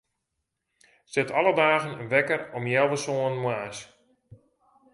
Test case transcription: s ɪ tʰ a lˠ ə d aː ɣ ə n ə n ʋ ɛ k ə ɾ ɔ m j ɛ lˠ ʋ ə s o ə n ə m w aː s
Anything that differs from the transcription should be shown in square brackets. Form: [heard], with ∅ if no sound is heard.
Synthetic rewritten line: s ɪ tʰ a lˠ ə d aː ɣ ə n ə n ʋ ɛ k ə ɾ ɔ m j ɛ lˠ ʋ ə s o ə n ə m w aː s